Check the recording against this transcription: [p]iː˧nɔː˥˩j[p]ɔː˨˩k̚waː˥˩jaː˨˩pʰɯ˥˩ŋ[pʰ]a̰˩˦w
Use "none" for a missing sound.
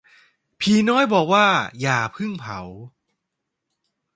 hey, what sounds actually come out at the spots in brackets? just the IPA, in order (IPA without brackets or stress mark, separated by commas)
pʰ, b, pʰ